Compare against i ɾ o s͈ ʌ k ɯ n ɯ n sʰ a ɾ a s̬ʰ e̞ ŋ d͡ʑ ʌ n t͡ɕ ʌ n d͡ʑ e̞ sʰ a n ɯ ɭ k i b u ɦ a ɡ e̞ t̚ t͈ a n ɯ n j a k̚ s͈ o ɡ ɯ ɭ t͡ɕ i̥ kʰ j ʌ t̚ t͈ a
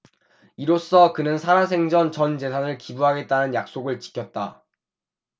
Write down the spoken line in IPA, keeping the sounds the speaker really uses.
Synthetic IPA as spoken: i ɾ o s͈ ʌ k ɯ n ɯ n sʰ a ɾ a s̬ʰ e̞ ŋ d͡ʑ ʌ n t͡ɕ ʌ n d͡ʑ e̞ sʰ a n ɯ ɭ k i b u ɦ a ɡ e̞ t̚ t͈ a n ɯ n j a k̚ s͈ o ɡ ɯ ɭ t͡ɕ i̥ kʰ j ʌ t̚ t͈ a